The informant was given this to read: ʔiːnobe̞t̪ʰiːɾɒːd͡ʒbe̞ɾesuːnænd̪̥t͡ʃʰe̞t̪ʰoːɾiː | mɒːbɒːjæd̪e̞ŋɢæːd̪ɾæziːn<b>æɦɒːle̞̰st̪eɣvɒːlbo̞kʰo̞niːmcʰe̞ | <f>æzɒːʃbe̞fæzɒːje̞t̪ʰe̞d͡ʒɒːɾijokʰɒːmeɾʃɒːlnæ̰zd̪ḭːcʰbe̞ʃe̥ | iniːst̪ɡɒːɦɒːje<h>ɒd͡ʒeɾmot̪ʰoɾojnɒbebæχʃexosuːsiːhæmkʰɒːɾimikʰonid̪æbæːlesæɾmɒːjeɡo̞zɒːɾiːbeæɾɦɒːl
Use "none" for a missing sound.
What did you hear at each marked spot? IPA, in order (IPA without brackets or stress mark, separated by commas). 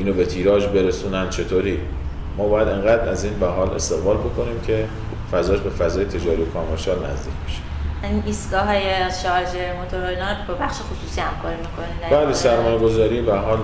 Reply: v, f, ʃ